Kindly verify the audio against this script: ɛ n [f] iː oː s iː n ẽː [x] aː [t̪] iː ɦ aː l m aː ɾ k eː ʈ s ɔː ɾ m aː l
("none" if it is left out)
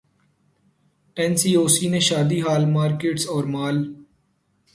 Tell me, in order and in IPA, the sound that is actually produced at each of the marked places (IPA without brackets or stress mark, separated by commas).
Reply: s, ʃ, d̪